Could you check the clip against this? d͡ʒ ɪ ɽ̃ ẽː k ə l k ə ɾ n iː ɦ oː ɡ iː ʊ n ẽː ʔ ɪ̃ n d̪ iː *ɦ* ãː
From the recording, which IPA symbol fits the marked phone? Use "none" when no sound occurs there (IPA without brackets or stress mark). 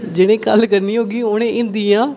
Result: none